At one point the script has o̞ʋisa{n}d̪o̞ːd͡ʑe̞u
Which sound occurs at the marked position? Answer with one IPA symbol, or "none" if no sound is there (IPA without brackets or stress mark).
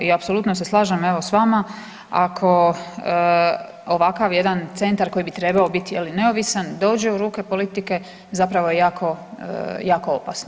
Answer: n